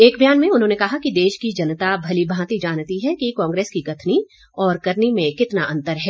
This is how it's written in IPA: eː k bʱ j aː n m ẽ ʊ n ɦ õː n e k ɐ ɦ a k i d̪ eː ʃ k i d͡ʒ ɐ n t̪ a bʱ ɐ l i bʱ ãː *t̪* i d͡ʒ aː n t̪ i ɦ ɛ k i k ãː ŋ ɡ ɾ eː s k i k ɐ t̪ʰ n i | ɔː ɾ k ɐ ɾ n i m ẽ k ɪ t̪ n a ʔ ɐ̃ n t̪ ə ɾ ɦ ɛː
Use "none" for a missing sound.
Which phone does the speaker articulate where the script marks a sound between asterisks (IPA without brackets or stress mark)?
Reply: t̪